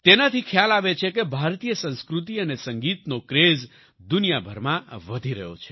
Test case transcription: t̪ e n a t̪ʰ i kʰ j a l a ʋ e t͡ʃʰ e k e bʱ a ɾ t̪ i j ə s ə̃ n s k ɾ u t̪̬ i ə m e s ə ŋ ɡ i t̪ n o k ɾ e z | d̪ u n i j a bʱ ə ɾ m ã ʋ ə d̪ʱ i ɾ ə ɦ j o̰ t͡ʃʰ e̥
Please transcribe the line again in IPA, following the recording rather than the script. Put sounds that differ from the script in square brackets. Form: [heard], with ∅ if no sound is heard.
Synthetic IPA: t̪ e n a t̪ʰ i kʰ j a l a ʋ e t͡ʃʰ e k e bʱ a ɾ t̪ i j ə s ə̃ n s k ɾ u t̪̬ i ə [n] e s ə ŋ ɡ i t̪ n o k ɾ e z | d̪ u n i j a bʱ ə ɾ m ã ʋ ə d̪ʱ i ɾ ə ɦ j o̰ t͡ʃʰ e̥